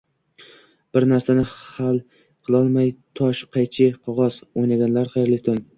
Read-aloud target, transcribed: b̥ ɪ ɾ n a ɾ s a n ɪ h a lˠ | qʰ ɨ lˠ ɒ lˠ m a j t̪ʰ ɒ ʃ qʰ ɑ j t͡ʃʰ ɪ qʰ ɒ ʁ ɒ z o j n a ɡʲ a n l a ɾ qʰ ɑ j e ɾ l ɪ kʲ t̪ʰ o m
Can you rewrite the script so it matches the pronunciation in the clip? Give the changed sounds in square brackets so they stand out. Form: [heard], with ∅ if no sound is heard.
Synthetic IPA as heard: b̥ ɪ ɾ n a ɾ s a n ɪ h a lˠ | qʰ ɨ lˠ ɒ lˠ m a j t̪ʰ ɒ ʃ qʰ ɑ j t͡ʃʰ ɪ qʰ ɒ ʁ ɒ z o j n a ɡʲ a n l a ɾ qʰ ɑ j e ɾ l ɪ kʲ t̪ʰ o [ŋ]

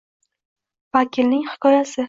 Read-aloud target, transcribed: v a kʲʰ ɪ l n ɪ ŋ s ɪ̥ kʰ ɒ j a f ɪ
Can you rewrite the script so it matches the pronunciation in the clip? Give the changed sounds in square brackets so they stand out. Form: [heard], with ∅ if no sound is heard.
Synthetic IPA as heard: v a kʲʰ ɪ l n ɪ ŋ [h] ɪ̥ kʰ ɒ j a [s] ɪ

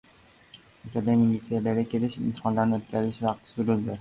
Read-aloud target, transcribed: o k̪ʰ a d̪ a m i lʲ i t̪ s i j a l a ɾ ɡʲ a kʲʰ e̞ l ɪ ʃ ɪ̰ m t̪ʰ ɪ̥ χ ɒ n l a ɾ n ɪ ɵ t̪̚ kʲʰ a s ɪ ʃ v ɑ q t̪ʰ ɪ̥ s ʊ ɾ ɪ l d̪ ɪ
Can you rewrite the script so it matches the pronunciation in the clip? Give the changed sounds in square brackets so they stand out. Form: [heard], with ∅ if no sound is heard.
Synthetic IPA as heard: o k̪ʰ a d̪ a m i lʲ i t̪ s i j a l a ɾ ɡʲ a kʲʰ e̞ l ɪ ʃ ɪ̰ m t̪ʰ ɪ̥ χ ɒ n l a ɾ n ɪ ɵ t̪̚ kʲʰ a [z] ɪ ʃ v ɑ q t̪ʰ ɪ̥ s ʊ ɾ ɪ l d̪ ɪ

